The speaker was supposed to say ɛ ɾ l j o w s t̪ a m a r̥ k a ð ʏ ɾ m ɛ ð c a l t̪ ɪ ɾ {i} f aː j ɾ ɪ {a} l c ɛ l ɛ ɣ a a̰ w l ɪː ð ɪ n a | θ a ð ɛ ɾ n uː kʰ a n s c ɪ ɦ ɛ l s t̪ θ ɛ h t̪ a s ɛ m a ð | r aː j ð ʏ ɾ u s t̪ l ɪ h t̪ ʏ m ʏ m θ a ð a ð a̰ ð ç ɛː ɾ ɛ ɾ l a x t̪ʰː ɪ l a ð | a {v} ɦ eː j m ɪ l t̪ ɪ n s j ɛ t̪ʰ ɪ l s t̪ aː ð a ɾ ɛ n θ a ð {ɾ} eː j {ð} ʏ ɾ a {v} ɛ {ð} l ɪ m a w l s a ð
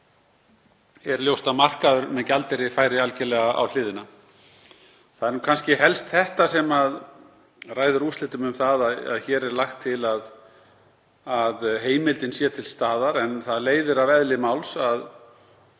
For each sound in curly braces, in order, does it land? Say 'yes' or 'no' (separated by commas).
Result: no, yes, no, no, yes, yes, yes